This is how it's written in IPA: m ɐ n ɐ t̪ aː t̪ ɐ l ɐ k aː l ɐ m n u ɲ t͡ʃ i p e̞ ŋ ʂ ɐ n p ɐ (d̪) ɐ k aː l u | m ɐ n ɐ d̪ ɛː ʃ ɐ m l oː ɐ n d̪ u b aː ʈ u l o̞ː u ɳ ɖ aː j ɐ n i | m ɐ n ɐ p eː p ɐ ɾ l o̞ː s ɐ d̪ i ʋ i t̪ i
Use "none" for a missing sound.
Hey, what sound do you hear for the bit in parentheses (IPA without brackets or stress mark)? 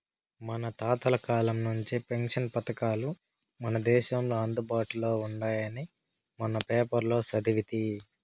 t̪